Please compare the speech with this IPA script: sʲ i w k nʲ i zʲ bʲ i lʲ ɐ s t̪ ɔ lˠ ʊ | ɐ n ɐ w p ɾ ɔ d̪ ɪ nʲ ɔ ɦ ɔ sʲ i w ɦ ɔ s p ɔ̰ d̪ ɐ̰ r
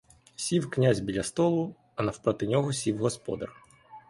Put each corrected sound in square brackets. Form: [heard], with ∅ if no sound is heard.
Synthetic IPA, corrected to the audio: sʲ i w k nʲ [a] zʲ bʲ i lʲ ɐ s t̪ ɔ lˠ ʊ | ɐ n ɐ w p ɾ ɔ [t̪] ɪ nʲ ɔ ɦ ɔ sʲ i w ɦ ɔ s p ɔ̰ d̪ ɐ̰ r